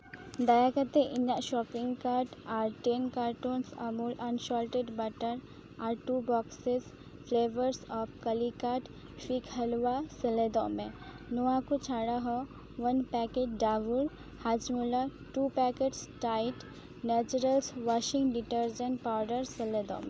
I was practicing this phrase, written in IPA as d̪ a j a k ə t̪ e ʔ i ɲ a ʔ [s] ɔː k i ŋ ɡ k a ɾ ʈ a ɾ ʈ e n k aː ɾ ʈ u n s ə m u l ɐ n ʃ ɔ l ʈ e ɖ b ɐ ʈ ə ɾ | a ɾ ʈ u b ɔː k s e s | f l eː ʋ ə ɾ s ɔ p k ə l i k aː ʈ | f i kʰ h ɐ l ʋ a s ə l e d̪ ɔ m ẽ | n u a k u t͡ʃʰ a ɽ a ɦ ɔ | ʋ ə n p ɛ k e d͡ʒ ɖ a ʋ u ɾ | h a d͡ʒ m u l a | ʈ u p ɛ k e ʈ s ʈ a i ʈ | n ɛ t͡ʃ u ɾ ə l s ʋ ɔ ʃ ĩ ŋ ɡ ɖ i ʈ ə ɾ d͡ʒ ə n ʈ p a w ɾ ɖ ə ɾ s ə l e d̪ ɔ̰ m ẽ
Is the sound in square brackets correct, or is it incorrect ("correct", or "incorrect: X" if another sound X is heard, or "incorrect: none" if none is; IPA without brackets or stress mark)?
incorrect: ʃ